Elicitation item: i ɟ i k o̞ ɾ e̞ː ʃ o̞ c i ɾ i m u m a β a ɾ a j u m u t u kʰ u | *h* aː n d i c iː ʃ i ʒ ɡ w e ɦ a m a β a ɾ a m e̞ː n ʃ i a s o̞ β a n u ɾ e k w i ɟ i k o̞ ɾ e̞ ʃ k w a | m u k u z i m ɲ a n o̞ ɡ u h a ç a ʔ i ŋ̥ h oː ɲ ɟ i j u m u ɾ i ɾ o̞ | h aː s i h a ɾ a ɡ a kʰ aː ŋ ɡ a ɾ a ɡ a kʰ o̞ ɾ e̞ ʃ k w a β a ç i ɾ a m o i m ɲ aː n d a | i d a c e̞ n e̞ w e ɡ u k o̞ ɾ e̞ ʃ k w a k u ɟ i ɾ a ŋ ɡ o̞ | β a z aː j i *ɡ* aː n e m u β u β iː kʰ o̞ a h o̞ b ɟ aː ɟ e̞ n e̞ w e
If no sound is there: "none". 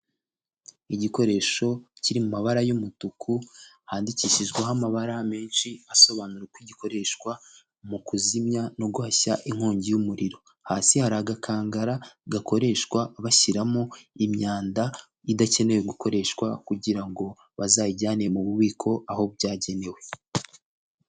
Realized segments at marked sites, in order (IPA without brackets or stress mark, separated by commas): h, ɟ